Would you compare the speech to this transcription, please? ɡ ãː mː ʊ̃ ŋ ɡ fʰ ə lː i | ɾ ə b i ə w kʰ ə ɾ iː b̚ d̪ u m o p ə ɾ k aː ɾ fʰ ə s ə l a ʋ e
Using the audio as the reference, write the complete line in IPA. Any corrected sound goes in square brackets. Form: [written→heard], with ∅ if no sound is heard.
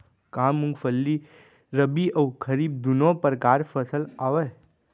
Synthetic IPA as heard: [ɡ→k] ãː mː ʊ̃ ŋ ɡ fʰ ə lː i | ɾ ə b i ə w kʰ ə ɾ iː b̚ d̪ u [m→n] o p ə ɾ k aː ɾ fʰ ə s ə l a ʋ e